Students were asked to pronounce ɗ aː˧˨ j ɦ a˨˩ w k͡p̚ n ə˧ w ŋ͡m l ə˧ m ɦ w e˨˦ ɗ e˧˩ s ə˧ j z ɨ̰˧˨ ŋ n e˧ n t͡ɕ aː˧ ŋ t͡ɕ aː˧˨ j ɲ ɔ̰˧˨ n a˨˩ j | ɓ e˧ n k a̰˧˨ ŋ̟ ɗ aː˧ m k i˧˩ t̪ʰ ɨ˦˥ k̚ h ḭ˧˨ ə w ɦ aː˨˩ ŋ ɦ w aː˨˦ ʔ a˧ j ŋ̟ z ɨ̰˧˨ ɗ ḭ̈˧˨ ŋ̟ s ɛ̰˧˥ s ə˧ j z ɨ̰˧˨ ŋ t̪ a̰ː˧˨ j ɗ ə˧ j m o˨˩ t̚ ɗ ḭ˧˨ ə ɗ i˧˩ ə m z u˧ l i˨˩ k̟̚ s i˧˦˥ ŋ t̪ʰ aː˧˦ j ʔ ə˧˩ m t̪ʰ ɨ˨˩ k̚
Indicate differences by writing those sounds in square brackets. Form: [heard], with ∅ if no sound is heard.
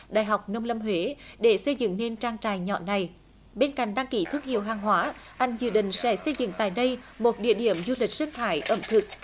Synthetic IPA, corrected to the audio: ɗ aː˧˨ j ɦ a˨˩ w k͡p̚ n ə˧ w ŋ͡m l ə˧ m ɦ w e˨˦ ɗ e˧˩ s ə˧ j z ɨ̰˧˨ ŋ n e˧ n t͡ɕ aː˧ ŋ t͡ɕ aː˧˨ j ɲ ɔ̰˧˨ n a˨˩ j | ɓ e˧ n k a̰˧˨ ŋ̟ ɗ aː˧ [ŋ] k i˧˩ t̪ʰ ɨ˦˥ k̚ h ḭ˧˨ ə w ɦ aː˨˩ ŋ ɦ w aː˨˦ ʔ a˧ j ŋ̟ z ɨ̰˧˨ ɗ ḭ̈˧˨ ŋ̟ s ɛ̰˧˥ s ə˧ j z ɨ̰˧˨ ŋ t̪ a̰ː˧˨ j ɗ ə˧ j m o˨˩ t̚ ɗ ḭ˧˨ ə ɗ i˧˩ ə m z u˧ l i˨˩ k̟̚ s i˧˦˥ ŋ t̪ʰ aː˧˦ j ʔ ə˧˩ m t̪ʰ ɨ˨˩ k̚